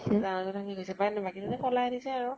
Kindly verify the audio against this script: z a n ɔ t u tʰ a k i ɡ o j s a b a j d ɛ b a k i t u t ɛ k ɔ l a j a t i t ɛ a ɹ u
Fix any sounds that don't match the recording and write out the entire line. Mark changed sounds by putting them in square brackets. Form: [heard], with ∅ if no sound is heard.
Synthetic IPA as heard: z a n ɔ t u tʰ a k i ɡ o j s [ɛ] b a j [n] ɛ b a k i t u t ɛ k ɔ l a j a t i [s] ɛ a ɹ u